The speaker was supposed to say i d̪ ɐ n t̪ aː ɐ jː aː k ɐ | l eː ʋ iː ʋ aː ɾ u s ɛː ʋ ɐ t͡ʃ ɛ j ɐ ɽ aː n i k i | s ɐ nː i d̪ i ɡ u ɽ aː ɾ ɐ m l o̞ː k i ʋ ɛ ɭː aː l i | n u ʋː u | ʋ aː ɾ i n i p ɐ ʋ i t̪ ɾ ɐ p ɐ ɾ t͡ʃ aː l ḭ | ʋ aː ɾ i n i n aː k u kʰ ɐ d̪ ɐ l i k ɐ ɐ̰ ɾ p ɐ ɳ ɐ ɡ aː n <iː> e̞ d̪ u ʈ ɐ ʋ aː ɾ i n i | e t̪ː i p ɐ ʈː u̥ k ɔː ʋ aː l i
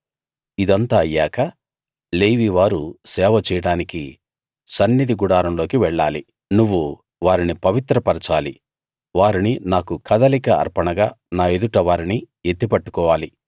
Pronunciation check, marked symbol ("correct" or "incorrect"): incorrect